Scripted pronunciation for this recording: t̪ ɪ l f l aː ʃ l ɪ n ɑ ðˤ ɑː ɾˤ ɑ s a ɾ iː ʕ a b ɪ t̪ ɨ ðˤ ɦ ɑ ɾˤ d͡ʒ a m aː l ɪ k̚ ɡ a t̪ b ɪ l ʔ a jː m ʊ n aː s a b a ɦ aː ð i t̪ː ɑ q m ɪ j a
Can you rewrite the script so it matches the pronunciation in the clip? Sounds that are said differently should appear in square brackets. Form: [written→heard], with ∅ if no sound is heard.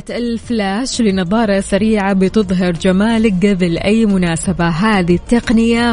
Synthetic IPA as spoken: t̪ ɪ l f l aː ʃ l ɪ n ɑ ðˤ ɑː ɾˤ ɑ s a ɾ iː ʕ a b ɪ t̪ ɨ ðˤ ɦ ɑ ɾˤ d͡ʒ a m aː l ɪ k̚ ɡ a [t̪→∅] b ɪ l ʔ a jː m ʊ n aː s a b a ɦ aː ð i t̪ː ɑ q [m→n] ɪ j a